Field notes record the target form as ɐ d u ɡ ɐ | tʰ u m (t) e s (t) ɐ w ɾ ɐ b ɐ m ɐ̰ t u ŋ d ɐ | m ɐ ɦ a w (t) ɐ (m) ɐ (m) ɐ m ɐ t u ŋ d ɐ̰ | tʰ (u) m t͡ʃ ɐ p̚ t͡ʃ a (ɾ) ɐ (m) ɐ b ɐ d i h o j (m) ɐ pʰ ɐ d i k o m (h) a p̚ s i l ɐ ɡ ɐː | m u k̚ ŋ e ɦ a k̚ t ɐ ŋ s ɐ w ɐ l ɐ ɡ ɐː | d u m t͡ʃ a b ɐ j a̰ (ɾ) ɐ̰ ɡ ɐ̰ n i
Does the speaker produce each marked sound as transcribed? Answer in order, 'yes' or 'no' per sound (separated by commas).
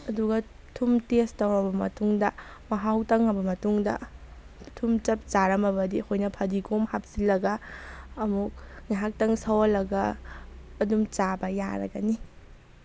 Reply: yes, yes, yes, no, no, yes, yes, yes, no, yes, yes